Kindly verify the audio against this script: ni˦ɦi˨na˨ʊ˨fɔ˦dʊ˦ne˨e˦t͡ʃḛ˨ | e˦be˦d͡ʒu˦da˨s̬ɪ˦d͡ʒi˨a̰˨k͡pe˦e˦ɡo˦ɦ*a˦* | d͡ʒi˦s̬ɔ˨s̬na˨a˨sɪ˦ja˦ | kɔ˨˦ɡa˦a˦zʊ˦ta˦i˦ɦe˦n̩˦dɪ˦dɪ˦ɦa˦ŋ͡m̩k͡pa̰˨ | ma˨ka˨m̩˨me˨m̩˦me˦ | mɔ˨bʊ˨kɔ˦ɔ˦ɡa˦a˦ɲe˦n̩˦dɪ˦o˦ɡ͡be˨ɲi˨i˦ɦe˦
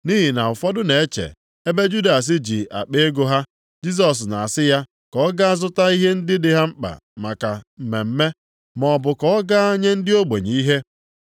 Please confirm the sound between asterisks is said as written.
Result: yes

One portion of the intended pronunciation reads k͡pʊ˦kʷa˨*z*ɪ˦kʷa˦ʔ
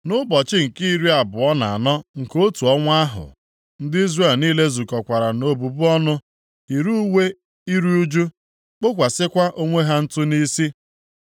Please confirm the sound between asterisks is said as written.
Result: no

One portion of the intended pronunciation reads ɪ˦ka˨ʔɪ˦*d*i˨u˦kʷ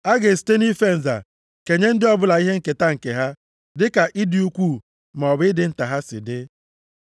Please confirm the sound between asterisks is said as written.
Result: yes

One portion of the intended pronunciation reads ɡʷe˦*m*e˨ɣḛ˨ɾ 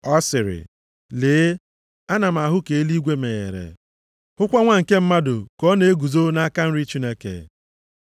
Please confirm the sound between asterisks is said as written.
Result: yes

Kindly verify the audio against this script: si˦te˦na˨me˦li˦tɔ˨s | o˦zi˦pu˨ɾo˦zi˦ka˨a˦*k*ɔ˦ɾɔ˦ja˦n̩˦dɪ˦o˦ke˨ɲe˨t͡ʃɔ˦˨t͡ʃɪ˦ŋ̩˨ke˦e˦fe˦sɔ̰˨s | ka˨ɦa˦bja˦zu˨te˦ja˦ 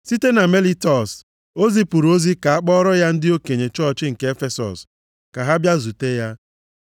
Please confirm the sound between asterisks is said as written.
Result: no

